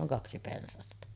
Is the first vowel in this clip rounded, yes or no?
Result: yes